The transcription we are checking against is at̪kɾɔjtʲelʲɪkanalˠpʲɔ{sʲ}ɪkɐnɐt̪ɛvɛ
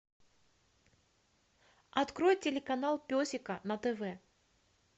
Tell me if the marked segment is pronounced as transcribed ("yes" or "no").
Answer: yes